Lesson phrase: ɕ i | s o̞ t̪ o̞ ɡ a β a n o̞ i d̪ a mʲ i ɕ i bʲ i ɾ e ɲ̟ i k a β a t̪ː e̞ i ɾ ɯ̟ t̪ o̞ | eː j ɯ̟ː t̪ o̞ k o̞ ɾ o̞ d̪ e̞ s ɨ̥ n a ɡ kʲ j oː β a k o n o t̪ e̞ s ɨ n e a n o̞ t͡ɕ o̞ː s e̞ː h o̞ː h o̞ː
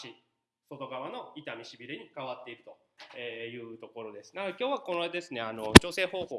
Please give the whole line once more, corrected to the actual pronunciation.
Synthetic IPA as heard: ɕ i | s o̞ t̪ o̞ ɡ a β a n o̞ i t̪ a mʲ i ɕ i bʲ i ɾ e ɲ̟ i k a β a t̪ː e̞ i ɾ ɯ̟ t̪ o̞ | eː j ɯ̟ː t̪ o̞ k o̞ ɾ o̞ d̪ e̞ s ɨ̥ n a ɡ kʲ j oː β a k o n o d̪ e̞ s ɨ n e a n o̞ t͡ɕ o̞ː s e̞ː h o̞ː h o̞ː

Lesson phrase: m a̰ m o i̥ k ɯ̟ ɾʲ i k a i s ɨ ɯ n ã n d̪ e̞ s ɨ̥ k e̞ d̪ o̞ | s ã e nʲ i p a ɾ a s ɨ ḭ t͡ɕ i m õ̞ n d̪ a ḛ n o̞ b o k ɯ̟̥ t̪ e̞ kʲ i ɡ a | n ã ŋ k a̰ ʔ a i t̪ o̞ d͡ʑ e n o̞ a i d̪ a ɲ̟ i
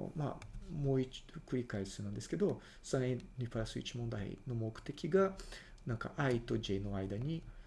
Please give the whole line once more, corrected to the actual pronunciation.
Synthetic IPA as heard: m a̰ m o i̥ k ɯ̟ ɾʲ i k a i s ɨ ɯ n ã n d̪ e̞ s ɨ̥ k e̞ d̪ o̞ | s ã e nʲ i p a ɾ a s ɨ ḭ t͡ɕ i m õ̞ n d̪ a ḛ n o̞ m o k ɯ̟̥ t̪ e̞ kʲ i ɡ a | n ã ŋ k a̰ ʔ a i t̪ o̞ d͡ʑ e n o̞ a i d̪ a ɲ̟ i

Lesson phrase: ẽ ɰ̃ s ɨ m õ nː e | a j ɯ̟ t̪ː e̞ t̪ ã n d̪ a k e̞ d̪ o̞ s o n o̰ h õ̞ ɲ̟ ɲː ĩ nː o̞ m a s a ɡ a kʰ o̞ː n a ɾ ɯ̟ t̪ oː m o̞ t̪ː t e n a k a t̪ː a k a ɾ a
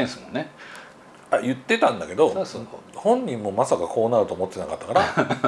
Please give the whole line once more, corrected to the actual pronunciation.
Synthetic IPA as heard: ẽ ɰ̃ s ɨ m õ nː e | a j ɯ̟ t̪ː e̞ t̪ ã n d̪ a k e̞ d̪ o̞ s o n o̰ h õ̞ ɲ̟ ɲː ĩ mː o̞ m a s a k a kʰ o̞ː n a ɾ ɯ̟ t̪ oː m o̞ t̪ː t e n a k a t̪ː a k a ɾ a

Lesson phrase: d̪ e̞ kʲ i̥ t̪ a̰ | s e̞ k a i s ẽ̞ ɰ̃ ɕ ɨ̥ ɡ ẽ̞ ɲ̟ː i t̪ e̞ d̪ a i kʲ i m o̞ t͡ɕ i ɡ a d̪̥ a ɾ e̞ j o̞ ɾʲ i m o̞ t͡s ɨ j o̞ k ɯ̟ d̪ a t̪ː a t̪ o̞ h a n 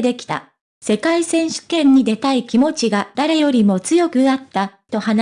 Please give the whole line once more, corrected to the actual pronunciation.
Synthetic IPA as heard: d̪ e̞ kʲ i̥ t̪ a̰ | s e̞ k a i s ẽ̞ ɰ̃ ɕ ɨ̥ k ẽ̞ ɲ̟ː i d̪ e̞ t̪ a i kʲ i m o̞ t͡ɕ i ɡ a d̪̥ a ɾ e̞ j o̞ ɾʲ i m o̞ t͡s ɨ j o̞ k ɯ̟ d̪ a t̪ː a t̪ o̞ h a n

